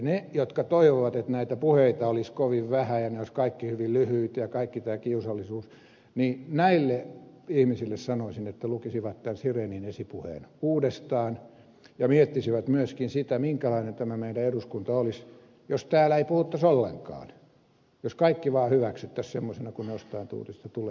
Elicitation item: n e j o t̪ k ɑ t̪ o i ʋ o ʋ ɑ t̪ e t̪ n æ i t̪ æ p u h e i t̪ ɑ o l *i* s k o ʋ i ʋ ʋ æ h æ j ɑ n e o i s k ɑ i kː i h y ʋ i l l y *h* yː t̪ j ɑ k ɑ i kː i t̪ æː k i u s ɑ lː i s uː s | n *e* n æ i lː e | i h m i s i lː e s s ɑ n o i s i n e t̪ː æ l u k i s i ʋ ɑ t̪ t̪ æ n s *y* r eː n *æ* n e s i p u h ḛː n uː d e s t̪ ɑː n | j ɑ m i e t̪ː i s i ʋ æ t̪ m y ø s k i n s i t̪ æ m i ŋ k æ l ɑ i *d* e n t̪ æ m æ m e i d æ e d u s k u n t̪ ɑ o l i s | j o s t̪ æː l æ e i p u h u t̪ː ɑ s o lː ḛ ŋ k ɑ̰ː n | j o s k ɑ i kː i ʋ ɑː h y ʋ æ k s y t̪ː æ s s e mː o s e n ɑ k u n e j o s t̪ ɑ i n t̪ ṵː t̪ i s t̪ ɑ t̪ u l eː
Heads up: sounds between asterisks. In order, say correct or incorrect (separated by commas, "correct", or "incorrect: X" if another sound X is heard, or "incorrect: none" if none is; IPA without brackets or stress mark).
correct, correct, incorrect: i, incorrect: i, incorrect: i, incorrect: n